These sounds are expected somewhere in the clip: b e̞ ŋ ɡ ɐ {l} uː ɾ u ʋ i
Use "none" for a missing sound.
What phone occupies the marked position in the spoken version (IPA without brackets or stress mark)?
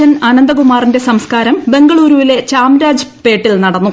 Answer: ɭ